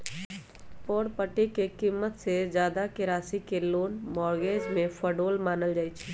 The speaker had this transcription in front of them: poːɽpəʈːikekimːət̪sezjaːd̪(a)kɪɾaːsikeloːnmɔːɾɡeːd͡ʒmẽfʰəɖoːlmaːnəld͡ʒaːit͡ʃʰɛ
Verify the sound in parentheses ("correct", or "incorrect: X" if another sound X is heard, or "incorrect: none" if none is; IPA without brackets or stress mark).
correct